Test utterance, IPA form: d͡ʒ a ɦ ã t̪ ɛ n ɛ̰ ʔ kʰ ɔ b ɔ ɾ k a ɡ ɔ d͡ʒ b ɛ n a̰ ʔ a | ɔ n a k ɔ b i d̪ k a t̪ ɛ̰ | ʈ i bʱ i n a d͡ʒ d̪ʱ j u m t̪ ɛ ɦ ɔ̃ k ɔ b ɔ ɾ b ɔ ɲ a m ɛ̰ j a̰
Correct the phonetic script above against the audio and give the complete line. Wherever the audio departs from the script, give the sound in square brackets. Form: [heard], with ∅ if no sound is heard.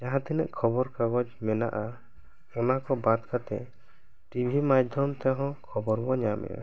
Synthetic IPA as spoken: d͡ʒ a ɦ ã t̪ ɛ n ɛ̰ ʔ kʰ ɔ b ɔ ɾ k a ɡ ɔ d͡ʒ [m] ɛ n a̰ ʔ a | ɔ n a k ɔ b [a] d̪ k a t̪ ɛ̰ | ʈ i bʱ i [m] a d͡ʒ d̪ʱ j [ɔ] m t̪ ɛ ɦ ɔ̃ [kʰ] ɔ b ɔ ɾ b ɔ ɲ a m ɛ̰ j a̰

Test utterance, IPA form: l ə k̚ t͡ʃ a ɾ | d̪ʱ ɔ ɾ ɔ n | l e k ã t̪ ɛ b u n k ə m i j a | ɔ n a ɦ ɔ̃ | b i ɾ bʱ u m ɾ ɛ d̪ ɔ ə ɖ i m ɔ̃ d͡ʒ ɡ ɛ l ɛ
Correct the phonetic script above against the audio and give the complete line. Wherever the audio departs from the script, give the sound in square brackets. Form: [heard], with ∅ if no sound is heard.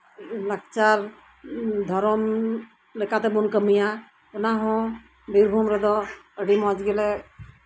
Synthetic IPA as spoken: l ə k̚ t͡ʃ a ɾ | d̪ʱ ɔ ɾ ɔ [m] | l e k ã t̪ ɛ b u n k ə m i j a | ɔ n a ɦ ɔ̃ | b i ɾ bʱ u m ɾ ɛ d̪ ɔ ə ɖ i m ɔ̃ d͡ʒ ɡ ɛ l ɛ

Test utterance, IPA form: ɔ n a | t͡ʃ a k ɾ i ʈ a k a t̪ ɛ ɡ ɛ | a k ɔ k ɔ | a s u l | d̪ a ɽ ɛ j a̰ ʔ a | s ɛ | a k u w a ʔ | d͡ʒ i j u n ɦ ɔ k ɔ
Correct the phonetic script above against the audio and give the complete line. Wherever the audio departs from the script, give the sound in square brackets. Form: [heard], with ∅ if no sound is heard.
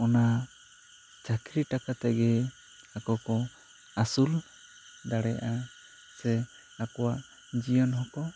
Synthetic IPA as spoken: ɔ n a | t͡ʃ a k ɾ i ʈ a k a t̪ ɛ ɡ ɛ | a k ɔ k ɔ | a s u l | d̪ a ɽ ɛ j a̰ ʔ a | s ɛ | a k [ɔ] w a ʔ | d͡ʒ i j [ɔ] n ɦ ɔ k ɔ

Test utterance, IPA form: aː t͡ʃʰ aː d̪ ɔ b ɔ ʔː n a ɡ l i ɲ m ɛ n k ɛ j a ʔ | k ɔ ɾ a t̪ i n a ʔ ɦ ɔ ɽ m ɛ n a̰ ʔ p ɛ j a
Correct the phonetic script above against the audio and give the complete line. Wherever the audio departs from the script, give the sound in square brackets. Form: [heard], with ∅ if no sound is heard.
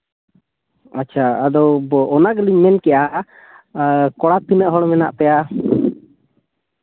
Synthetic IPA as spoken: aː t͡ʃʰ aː d̪ ɔ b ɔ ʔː n a ɡ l i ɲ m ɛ n k ɛ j a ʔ | k ɔ [ɽ] a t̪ i n [ə] ʔ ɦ ɔ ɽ m ɛ n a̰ ʔ p ɛ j a

